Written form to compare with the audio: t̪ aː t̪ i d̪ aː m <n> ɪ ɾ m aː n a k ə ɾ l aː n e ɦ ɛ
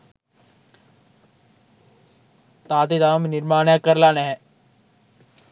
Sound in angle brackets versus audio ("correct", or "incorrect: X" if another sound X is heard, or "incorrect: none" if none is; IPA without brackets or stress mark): correct